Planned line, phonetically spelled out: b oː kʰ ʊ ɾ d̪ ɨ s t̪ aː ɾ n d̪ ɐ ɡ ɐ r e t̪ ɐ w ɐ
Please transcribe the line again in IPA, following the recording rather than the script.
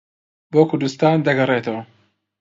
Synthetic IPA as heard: b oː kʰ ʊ ɾ d̪ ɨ s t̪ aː n d̪ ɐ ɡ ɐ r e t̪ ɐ w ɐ